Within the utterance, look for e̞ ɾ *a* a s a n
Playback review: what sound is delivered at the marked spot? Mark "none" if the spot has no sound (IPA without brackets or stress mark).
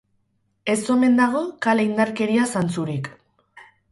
i